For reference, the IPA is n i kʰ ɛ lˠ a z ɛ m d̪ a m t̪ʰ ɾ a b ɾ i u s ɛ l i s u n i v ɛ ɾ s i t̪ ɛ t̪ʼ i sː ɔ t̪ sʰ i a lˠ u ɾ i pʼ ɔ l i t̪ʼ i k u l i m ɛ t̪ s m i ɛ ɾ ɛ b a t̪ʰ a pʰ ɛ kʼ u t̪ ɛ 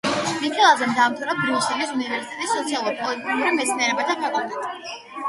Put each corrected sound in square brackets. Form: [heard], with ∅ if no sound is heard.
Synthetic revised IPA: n i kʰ ɛ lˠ a z ɛ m d̪ a m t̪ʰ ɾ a b ɾ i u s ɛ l i s u n i v ɛ ɾ s i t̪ ɛ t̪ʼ i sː ɔ t̪ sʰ i a lˠ u ɾ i pʼ ɔ l i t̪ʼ i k u [ɾ] i m ɛ t̪ s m i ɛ ɾ ɛ b a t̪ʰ a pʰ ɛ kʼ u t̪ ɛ